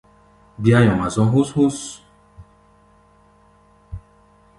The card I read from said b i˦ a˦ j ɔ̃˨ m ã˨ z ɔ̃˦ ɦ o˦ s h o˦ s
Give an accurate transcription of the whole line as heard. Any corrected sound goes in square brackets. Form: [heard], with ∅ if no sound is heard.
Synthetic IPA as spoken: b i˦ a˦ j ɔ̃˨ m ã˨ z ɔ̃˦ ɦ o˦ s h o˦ s